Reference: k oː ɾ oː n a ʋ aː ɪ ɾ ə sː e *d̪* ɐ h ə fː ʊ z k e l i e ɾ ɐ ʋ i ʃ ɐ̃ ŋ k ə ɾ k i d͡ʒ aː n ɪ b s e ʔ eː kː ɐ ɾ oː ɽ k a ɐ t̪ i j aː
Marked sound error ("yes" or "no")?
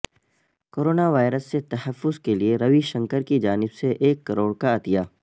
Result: yes